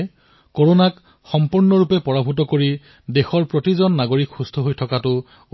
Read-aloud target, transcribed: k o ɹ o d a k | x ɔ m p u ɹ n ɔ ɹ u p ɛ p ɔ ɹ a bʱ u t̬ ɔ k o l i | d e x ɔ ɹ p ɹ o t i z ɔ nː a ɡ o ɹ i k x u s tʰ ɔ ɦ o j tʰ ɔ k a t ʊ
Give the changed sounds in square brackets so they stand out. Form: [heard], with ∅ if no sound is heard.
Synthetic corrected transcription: k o ɹ o [n] a k | x ɔ m p u ɹ n ɔ ɹ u p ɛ p ɔ ɹ a bʱ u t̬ ɔ k o [ɹ] i | d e x ɔ ɹ p ɹ o t i z ɔ nː a ɡ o ɹ i k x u s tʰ ɔ ɦ o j tʰ ɔ k a t ʊ

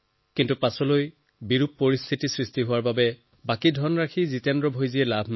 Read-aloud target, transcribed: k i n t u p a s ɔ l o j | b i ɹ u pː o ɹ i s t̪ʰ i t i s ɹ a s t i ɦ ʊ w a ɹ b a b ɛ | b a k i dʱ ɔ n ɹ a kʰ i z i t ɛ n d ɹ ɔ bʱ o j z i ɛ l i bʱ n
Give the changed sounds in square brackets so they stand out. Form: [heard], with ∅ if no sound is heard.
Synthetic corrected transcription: k i n t u p a s ɔ l o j | b i ɹ u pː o ɹ i s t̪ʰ i t i s ɹ [i] s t i ɦ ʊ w a ɹ b a b ɛ | b a k i dʱ ɔ n ɹ a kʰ i z i t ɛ n d ɹ ɔ bʱ o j z i ɛ l [a] bʱ n

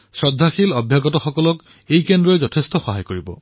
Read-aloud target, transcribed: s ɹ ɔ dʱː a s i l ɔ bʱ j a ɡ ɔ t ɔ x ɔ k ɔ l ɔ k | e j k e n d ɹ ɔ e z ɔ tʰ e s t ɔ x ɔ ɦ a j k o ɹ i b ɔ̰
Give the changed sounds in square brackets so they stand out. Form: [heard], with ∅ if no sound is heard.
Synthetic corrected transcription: s ɹ ɔ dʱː a [x] i l ɔ bʱ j a ɡ ɔ t ɔ x ɔ k ɔ l ɔ k | e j k e n d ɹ ɔ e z ɔ tʰ e s t ɔ x ɔ ɦ a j k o ɹ i b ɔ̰

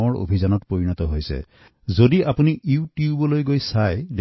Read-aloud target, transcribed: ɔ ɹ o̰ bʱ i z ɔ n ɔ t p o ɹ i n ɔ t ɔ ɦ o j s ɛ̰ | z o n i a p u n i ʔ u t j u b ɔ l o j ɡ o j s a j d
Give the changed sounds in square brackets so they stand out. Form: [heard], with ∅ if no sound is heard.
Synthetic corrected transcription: ɔ ɹ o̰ bʱ i z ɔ n ɔ t p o ɹ i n ɔ t ɔ ɦ o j s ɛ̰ | z o [d] i a p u n i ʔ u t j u b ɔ l o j ɡ o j s a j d

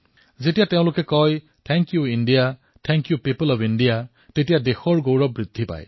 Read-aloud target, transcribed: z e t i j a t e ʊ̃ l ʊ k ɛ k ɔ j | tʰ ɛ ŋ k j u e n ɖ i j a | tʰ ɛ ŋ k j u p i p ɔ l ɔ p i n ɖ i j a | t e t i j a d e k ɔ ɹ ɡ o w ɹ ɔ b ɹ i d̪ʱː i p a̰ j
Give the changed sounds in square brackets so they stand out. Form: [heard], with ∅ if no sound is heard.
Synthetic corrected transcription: z e t i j a t e ʊ̃ l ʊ k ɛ k ɔ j | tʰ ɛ ŋ k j u [i] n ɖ i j a | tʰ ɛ ŋ k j u p i p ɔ l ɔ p i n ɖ i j a | t e t i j a d e [x] ɔ ɹ ɡ o w ɹ ɔ b ɹ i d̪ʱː i p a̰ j

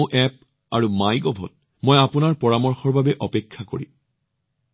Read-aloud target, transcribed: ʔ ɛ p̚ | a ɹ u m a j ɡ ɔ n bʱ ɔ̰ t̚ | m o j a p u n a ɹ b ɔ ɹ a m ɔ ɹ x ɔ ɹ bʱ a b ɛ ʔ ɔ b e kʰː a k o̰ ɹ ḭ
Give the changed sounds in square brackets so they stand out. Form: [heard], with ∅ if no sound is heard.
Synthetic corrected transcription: ʔ ɛ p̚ | a ɹ u m a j ɡ ɔ [∅] bʱ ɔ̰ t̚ | m o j a p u n a ɹ [p] ɔ ɹ a m ɔ ɹ x ɔ ɹ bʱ a b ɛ ʔ ɔ [p] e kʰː a k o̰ ɹ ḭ

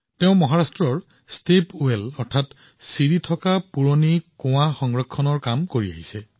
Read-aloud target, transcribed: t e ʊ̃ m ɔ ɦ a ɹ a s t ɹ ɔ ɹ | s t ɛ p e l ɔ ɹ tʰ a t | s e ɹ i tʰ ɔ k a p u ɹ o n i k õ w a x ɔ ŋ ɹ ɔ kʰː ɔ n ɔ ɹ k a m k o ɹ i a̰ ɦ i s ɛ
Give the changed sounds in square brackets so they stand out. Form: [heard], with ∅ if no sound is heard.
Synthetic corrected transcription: t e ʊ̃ m ɔ ɦ a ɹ a s t ɹ ɔ ɹ | s t [e] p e l ɔ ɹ tʰ a t | s [i] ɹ i tʰ ɔ k a p u ɹ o n i k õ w a x ɔ ŋ ɹ ɔ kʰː ɔ n ɔ ɹ k a m k o ɹ i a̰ ɦ i s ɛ

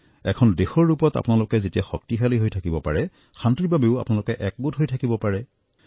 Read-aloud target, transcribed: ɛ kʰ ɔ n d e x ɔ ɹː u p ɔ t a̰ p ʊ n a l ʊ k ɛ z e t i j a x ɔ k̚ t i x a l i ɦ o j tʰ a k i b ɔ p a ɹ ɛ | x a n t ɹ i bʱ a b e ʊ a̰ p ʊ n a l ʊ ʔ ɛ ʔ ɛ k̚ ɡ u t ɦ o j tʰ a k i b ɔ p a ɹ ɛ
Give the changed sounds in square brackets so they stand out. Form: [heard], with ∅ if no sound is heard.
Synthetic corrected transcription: ɛ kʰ ɔ n d e x ɔ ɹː u p ɔ t a̰ p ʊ n a l ʊ k ɛ z e t i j a x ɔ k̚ t i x a l i ɦ o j tʰ a k i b ɔ p a ɹ ɛ | x a n t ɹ i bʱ a b e ʊ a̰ p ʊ n a l ʊ [k] ɛ ʔ ɛ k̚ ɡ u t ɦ o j tʰ a k i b ɔ p a ɹ ɛ

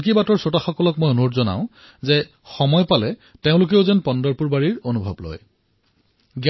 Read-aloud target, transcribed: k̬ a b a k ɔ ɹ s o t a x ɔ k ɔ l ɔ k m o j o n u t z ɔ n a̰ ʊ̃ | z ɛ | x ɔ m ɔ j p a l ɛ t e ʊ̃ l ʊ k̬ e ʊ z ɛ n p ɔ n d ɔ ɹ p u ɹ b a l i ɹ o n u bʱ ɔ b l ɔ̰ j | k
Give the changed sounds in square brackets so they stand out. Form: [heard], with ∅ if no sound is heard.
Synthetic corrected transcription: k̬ [i] b a [t] ɔ ɹ s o t a x ɔ k ɔ l ɔ k m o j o n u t z ɔ n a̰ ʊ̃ | z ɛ | x ɔ m ɔ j p a l ɛ t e ʊ̃ l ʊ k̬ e ʊ z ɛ n p ɔ n d ɔ ɹ p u ɹ b a [ɹ] i ɹ o n u bʱ ɔ b l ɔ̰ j | [ɡ]

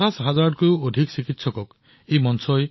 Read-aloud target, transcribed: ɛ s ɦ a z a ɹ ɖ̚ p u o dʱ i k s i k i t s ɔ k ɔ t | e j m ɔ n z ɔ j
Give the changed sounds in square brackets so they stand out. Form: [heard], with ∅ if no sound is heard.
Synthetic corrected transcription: [a] s ɦ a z a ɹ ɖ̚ [k] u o dʱ i k s i k i t s ɔ k ɔ [k] | e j m ɔ n [s] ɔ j

